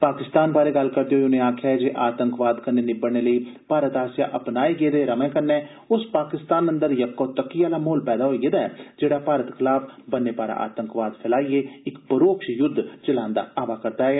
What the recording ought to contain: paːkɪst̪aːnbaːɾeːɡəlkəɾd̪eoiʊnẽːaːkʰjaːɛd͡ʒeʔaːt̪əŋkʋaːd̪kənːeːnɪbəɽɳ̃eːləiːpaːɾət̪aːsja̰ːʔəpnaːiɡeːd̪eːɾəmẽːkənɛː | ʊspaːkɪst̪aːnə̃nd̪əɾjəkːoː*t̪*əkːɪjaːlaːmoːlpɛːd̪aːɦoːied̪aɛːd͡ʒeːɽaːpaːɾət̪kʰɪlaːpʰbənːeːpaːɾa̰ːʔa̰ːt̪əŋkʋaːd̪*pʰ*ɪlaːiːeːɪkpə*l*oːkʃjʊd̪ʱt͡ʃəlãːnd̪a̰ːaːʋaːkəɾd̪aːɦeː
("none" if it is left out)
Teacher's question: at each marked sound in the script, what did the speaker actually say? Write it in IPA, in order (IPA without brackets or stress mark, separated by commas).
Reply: t̪, pʰ, ɾ